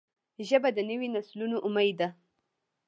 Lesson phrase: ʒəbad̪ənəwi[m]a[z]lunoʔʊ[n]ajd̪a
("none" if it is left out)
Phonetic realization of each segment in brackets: n, s, m

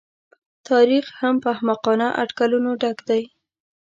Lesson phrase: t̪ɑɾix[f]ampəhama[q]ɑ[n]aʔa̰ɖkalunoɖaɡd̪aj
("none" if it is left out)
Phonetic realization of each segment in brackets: h, q, n

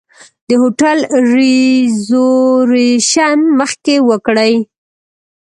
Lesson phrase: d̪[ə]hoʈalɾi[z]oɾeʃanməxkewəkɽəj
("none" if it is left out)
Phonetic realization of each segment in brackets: ə, z

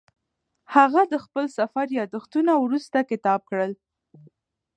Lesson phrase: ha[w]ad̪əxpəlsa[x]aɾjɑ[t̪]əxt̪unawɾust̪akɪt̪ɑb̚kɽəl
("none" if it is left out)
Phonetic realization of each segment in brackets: ɣ, f, d̪

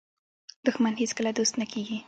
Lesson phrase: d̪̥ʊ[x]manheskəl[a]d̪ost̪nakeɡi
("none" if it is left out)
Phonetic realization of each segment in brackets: x, a

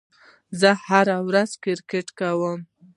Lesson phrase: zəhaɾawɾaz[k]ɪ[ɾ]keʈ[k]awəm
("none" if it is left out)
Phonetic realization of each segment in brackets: k, ɾ, k

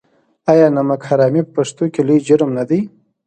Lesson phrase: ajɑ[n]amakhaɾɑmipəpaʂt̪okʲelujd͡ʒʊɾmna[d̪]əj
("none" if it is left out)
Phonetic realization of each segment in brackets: n, d̪

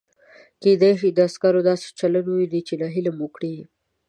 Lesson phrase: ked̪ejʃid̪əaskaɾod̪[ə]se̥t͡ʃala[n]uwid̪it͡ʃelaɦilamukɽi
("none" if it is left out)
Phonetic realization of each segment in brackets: ɑ, n

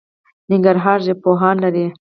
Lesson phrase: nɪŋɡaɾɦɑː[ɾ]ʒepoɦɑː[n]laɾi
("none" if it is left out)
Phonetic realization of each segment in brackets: ɾ, n

